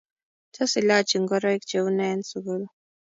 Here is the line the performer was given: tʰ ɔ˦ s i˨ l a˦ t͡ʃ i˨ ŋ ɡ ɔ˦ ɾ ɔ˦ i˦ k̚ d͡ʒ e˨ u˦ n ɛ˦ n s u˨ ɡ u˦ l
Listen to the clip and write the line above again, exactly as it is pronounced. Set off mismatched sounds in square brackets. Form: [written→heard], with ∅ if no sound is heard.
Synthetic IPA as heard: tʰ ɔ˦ s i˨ l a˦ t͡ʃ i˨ ŋ ɡ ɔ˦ ɾ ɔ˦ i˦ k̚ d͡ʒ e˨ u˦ n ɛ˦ n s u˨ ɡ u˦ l